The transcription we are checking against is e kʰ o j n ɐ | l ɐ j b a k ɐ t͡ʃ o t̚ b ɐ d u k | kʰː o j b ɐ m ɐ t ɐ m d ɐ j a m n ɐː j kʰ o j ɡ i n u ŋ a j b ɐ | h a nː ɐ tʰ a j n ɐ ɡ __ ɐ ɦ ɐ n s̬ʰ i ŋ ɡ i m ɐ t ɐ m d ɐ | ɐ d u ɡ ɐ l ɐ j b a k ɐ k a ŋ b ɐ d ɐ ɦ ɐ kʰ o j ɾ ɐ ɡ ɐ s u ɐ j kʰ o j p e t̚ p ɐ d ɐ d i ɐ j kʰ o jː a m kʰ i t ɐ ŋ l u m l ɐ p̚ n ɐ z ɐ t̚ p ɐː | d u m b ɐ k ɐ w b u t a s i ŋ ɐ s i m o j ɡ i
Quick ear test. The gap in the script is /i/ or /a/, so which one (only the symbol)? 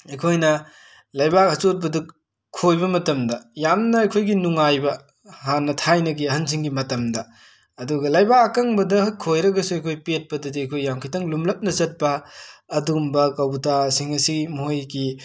i